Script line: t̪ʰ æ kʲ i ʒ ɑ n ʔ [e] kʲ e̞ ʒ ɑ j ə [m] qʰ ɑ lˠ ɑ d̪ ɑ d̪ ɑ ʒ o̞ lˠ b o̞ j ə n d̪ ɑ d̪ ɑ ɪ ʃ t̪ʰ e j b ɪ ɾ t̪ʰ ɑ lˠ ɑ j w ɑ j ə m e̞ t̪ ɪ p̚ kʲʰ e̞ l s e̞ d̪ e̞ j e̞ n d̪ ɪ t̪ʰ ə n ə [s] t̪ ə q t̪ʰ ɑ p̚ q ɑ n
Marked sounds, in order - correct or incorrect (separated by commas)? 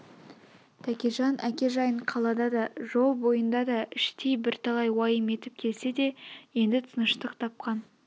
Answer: incorrect, incorrect, incorrect